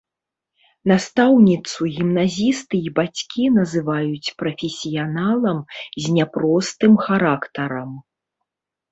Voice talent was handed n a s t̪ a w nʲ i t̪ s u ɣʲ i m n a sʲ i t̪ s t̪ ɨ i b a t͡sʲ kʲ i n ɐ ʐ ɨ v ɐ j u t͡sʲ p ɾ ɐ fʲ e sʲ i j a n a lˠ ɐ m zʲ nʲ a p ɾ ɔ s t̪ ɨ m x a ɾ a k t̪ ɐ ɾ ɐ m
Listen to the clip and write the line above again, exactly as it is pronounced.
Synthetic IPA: n a s t̪ a w nʲ i t̪ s u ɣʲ i m n a zʲ i s t̪ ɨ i b a t͡sʲ kʲ i n ɐ z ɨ v a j u t͡sʲ p ɾ ɐ fʲ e sʲ i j a n a lˠ ɐ m zʲ nʲ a p ɾ ɔ s t̪ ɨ m x a ɾ a k t̪ ɐ ɾ ɐ m